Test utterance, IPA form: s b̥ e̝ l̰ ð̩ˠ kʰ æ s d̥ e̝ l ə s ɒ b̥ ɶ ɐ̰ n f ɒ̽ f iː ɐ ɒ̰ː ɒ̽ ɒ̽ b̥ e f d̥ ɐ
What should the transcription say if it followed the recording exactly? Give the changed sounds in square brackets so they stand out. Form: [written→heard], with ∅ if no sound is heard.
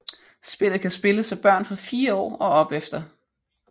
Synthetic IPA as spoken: s b̥ e̝ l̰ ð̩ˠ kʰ æ s [d̥→b̥] e̝ l ə s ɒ b̥ ɶ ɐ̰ n f ɒ̽ f iː ɐ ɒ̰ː ɒ̽ ɒ̽ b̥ e f d̥ ɐ